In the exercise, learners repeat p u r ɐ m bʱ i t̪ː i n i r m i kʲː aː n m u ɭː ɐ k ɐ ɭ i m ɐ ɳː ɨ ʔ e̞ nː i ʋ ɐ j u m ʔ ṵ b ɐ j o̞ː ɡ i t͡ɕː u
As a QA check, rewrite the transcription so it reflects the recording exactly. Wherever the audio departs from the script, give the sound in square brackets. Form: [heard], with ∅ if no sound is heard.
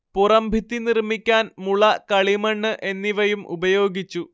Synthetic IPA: p u r ɐ m bʱ i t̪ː i n i r m i kʲː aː n m u [ɭ] ɐ k ɐ ɭ i m ɐ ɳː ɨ ʔ e̞ nː i ʋ ɐ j u m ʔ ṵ b ɐ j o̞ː ɡ i t͡ɕː u